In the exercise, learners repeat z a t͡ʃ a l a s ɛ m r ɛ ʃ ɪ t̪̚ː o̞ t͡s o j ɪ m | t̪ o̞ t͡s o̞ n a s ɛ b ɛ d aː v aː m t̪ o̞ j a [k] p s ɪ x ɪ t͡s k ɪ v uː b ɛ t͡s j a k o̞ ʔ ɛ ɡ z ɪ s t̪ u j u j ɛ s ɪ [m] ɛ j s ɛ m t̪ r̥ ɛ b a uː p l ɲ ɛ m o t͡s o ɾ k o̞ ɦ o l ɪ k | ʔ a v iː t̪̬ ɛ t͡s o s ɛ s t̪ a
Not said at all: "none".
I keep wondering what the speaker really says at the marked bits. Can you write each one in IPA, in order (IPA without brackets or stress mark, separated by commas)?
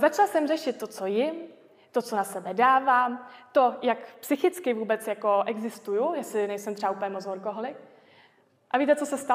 k, n